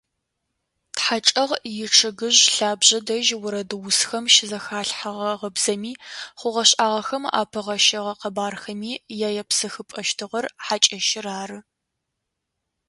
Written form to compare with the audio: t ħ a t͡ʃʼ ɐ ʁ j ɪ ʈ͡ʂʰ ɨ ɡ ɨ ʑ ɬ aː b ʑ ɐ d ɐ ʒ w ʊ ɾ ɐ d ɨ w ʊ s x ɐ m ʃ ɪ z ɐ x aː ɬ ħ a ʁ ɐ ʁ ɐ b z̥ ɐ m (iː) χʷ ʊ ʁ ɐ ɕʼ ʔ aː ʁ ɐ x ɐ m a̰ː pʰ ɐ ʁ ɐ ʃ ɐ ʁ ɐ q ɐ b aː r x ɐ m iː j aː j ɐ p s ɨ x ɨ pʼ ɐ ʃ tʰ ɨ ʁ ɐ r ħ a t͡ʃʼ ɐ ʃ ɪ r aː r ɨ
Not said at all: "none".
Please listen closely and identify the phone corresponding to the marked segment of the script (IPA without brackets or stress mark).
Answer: iː